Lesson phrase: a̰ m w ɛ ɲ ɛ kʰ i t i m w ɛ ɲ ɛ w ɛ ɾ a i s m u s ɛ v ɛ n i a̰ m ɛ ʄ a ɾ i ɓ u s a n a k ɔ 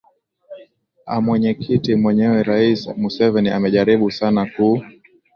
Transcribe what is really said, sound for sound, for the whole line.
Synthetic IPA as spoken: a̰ m w ɛ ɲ ɛ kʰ i t i m w ɛ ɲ ɛ w ɛ ɾ a i s m u s ɛ v ɛ n i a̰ m ɛ ʄ a ɾ i ɓ u s a n a k u

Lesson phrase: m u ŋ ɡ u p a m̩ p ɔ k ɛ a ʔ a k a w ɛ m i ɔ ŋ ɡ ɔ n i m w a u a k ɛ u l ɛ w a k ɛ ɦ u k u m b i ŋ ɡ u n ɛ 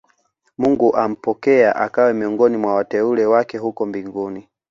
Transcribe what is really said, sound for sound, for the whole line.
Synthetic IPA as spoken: m u ŋ ɡ u ʔ a m̩ p ɔ k ɛ a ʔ a k a w ɛ m i ɔ ŋ ɡ ɔ n i m w a w a t ɛ u l ɛ w a k ɛ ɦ u k ɔ m b i ŋ ɡ u n i

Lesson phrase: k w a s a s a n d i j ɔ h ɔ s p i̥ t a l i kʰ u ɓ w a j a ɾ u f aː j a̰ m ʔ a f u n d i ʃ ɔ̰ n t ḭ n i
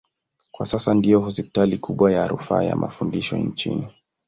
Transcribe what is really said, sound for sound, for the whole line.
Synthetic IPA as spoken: k w a s a s a n d i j ɔ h ɔ s p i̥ t a l i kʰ u ɓ w a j a ɾ u f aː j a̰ m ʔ a f u n d i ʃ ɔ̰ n t͡ʃ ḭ n i

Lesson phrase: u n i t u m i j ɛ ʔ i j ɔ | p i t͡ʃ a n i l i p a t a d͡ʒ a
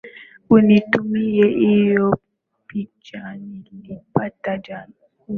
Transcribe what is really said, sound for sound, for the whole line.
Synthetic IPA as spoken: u n i t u m i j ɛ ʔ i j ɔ | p i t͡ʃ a n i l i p a t a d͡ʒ a

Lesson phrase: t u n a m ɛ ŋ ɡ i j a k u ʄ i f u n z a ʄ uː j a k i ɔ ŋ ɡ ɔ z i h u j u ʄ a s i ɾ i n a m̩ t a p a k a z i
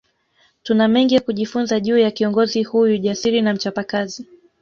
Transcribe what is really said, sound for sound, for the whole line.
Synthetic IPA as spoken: t u n a m ɛ ŋ ɡ i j a k u ʄ i f u n z a ʄ uː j a k i ɔ ŋ ɡ ɔ z i h u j u ʄ a s i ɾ i n a m̩ t͡ʃ a p a k a z i

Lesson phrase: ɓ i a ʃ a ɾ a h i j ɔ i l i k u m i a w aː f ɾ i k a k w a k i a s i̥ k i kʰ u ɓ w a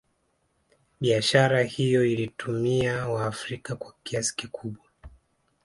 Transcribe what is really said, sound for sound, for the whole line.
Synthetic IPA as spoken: ɓ i a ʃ a ɾ a h i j ɔ i l i t u m i a w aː f ɾ i k a k w a k i a s i̥ k i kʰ u ɓ w a

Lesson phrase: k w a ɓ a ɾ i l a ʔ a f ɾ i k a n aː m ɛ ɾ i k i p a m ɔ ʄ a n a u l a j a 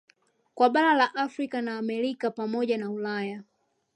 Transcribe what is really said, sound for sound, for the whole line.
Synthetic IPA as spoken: k w a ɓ a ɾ a l a ʔ a f ɾ i k a n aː m ɛ ɾ i k a p a m ɔ ʄ a n a u l a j a

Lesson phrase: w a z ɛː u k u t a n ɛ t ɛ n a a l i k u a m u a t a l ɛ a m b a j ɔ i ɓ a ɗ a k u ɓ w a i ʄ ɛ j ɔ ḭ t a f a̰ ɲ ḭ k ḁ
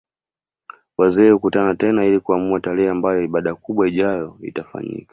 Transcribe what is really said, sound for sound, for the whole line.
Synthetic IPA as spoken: w a z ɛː u k u t a n a t ɛ n a i l i k u a m u a t a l ɛ a m b a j ɔ i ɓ a ɗ a k u ɓ w a i ʄ a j ɔ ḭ t a f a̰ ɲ ḭ k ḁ

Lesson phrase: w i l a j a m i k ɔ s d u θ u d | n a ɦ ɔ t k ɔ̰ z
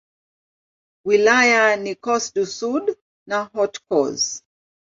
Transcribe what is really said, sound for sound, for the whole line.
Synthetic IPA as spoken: w i l a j a n i k ɔ s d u s u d | n a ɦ ɔ t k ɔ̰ z

